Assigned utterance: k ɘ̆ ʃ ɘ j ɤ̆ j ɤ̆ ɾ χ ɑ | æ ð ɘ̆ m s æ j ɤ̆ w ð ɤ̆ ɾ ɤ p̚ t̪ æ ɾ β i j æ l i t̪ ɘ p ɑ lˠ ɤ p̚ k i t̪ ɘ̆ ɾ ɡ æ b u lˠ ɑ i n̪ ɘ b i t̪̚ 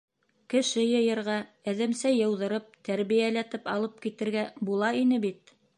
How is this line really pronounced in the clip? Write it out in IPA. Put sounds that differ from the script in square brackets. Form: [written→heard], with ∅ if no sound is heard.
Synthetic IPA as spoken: k ɘ̆ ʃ ɘ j ɤ̆ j ɤ̆ ɾ [χ→ʁ] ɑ | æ ð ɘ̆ m s æ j ɤ̆ w ð ɤ̆ ɾ ɤ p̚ t̪ æ ɾ β i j æ l [i→æ] t̪ ɘ p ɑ lˠ ɤ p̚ k i t̪ ɘ̆ ɾ ɡ æ b u lˠ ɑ i n̪ ɘ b i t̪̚